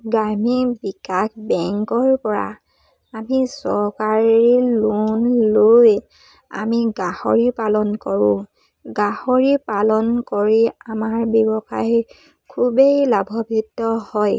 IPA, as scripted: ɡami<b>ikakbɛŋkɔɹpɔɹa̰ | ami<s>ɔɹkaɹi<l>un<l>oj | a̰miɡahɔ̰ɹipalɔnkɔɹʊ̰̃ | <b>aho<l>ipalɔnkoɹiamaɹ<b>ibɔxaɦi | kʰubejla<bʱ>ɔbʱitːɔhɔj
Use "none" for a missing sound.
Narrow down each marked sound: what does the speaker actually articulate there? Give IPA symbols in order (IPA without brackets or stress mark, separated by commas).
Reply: b, s, l, l, ɡ, ɹ, b, bʱ